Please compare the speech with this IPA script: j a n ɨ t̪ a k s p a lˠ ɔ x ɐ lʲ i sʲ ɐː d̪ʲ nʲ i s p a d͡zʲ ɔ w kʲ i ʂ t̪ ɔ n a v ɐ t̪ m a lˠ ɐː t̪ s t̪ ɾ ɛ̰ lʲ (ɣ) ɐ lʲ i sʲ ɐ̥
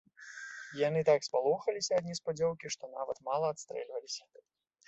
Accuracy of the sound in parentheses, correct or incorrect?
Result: incorrect